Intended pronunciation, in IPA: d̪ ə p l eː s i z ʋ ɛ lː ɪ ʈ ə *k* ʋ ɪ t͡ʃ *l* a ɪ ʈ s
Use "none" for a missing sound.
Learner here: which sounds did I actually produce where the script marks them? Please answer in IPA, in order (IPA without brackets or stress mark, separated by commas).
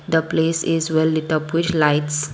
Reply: p, l